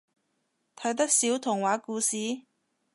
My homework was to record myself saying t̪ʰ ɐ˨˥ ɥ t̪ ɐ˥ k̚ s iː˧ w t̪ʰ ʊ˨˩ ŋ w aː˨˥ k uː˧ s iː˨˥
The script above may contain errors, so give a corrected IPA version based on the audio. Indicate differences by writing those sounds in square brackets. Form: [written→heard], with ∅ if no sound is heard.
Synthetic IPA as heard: t̪ʰ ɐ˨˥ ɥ t̪ ɐ˥ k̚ s [iː˧→iː˨˥] w t̪ʰ ʊ˨˩ ŋ w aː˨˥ k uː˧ s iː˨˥